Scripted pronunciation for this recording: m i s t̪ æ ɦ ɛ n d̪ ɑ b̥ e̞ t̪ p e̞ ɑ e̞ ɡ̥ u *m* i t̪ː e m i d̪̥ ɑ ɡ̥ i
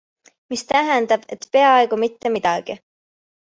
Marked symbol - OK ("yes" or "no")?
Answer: yes